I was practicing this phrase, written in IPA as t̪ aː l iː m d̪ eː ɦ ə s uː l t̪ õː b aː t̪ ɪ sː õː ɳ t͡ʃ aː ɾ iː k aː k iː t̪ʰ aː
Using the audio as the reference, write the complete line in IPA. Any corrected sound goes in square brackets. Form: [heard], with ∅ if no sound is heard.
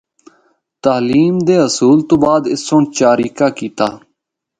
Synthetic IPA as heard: t̪ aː l iː m d̪ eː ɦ ə s uː l t̪ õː b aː [d̪] ɪ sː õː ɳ t͡ʃ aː ɾ iː k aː k iː [t̪] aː